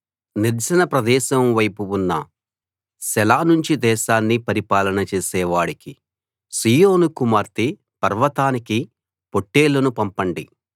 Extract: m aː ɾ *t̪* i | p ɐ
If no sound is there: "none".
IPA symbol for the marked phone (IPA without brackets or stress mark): t̪